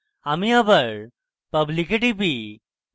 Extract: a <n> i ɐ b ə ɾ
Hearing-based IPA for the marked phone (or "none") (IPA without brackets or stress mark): m